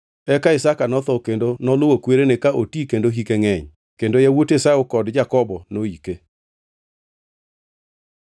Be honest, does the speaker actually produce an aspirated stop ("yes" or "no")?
no